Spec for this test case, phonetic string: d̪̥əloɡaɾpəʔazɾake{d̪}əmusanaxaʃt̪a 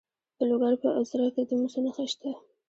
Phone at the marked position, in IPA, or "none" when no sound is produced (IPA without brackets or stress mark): d̪